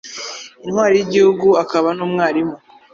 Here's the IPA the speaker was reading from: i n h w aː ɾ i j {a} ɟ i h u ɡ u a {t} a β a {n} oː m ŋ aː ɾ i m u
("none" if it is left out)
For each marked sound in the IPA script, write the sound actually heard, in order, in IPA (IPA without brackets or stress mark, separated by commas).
i, k, n